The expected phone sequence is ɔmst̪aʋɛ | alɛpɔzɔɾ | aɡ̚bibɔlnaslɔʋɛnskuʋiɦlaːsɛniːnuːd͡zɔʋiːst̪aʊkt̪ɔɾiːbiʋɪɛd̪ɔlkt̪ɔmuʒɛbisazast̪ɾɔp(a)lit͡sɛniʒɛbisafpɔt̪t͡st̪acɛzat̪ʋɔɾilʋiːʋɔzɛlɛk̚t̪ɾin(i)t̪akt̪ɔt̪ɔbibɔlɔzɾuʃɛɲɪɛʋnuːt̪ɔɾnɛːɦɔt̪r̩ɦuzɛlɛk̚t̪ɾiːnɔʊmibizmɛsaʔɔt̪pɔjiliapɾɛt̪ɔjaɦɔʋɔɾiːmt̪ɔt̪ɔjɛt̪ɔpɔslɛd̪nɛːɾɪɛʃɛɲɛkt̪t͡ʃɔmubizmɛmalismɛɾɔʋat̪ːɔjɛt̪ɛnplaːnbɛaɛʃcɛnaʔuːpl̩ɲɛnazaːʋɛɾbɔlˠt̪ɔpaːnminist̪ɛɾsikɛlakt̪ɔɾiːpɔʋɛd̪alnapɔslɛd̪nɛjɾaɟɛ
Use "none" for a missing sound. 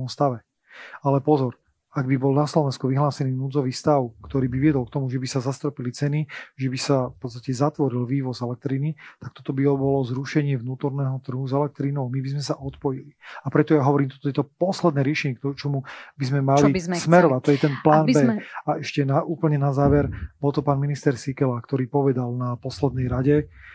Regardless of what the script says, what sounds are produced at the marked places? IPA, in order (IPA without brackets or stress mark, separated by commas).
i, i